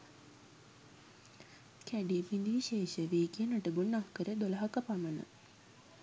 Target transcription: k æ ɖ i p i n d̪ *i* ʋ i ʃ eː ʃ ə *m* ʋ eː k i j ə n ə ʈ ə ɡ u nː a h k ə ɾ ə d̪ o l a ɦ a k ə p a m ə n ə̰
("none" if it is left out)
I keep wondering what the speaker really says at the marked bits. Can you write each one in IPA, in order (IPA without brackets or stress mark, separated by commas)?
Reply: i, none